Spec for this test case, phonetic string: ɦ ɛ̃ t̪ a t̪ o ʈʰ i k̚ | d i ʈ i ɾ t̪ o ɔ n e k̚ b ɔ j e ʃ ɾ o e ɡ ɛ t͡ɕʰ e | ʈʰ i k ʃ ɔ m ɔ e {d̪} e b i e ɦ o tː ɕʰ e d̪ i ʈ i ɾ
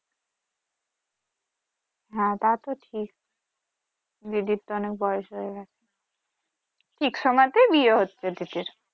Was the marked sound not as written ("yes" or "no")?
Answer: yes